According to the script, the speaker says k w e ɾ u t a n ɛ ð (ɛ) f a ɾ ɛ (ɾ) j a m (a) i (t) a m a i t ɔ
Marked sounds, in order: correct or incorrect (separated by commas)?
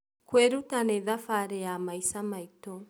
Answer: incorrect, incorrect, correct, incorrect